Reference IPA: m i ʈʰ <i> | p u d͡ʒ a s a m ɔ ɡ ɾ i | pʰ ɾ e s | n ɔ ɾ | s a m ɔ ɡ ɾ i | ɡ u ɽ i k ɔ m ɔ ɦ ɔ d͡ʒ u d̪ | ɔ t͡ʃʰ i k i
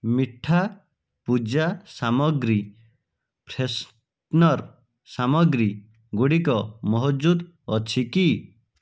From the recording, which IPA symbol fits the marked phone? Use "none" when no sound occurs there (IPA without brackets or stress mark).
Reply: a